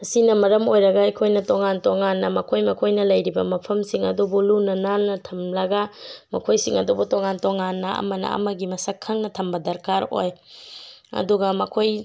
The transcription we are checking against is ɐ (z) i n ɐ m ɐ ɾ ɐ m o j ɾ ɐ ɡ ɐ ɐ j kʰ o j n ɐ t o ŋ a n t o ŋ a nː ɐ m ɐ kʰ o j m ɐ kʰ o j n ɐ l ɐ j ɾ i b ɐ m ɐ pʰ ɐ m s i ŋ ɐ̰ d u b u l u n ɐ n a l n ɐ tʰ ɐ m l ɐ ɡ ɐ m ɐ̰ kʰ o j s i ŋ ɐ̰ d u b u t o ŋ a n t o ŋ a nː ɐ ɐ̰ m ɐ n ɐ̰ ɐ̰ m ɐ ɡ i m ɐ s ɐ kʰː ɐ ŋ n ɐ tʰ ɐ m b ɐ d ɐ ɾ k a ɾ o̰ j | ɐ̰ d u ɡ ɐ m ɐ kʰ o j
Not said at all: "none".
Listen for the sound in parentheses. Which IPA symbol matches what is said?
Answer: s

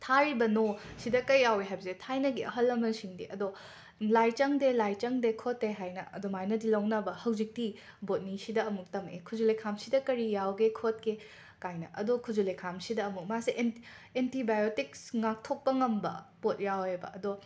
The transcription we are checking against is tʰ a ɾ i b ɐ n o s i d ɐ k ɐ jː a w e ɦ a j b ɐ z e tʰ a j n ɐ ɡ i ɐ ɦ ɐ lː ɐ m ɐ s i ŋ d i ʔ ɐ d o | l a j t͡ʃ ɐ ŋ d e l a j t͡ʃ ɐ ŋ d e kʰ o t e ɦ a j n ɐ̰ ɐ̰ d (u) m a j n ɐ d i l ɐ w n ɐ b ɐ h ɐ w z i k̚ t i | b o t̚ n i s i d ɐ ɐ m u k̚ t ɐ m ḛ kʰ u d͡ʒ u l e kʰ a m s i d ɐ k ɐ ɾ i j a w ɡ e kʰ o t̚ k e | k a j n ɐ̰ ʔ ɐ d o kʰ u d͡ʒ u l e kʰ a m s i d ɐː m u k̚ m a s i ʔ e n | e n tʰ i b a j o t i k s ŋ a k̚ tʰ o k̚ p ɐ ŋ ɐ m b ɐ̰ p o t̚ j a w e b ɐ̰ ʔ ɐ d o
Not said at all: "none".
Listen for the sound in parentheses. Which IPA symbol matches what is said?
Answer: o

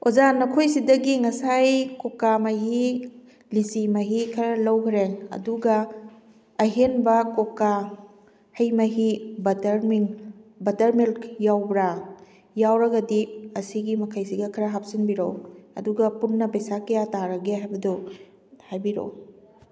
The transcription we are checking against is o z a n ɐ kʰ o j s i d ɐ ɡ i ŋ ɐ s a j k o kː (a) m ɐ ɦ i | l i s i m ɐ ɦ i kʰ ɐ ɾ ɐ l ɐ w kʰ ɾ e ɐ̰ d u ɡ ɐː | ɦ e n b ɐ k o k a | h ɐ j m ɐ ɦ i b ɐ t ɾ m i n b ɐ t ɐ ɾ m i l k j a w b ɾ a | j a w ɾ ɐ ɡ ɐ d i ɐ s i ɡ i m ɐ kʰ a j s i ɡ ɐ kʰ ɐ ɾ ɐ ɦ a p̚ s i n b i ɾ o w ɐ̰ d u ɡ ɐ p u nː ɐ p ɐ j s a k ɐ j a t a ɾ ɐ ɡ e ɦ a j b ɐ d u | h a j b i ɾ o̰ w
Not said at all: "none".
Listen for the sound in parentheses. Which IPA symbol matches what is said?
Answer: a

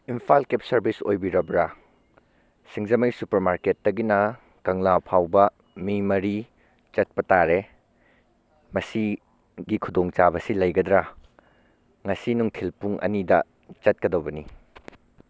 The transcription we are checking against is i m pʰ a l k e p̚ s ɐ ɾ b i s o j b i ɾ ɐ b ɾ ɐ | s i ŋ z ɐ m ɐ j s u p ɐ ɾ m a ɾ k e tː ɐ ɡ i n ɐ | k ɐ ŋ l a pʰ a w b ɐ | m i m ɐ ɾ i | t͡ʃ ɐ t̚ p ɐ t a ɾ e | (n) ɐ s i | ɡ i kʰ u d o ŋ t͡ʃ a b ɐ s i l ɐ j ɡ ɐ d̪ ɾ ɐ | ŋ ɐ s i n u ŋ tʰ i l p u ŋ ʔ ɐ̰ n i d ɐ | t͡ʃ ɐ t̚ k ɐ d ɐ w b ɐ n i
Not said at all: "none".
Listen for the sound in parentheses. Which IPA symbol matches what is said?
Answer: m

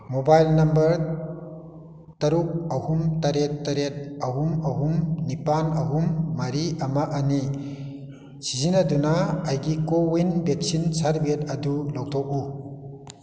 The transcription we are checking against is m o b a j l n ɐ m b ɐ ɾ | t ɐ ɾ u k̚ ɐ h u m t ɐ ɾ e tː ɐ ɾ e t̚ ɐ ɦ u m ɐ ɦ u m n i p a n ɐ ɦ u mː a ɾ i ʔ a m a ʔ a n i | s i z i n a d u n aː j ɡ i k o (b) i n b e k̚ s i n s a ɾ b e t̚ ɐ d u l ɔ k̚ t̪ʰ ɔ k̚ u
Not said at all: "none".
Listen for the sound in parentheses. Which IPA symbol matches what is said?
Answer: w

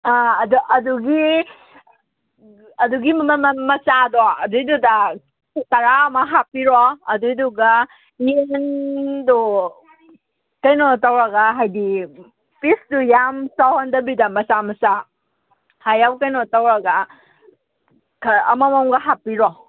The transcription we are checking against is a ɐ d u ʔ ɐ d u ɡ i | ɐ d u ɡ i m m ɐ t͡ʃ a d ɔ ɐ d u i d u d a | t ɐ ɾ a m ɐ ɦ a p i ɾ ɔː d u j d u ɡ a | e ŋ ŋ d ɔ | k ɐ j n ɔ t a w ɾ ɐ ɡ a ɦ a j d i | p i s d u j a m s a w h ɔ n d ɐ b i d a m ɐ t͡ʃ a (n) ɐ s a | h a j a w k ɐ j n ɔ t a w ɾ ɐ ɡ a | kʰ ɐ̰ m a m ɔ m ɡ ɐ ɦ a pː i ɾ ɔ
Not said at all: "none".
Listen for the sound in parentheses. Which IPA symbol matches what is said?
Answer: m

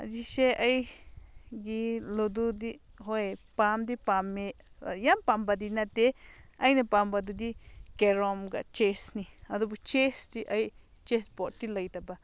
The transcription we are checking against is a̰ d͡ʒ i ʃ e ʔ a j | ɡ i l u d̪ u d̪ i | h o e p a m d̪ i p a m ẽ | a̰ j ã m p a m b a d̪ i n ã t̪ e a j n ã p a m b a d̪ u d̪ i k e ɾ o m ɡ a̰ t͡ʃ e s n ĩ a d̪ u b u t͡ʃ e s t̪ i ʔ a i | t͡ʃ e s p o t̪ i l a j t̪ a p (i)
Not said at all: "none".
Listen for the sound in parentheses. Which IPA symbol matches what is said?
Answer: a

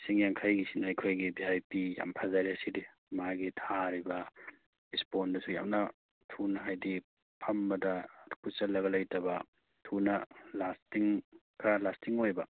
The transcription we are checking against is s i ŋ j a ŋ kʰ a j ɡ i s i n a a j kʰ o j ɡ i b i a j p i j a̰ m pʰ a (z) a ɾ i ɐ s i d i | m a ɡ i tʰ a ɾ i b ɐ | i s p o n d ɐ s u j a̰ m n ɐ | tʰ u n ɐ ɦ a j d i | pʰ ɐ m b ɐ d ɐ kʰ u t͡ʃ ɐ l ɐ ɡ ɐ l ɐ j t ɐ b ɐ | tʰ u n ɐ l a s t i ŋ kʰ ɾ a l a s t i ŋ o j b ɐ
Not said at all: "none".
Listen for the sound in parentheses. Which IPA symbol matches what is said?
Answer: z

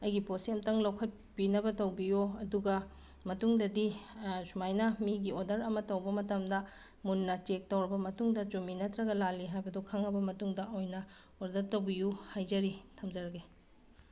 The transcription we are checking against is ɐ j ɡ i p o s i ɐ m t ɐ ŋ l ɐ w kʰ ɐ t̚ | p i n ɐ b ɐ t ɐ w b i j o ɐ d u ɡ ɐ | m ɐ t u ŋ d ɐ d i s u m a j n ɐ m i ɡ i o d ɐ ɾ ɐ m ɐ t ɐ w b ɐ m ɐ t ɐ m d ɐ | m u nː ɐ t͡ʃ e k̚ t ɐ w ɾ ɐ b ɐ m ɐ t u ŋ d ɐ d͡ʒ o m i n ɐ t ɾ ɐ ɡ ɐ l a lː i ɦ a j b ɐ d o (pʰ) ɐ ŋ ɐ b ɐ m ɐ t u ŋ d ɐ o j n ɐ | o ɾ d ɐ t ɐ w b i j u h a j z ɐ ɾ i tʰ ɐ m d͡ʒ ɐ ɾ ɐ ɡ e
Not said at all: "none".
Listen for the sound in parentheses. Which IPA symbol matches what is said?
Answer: kʰ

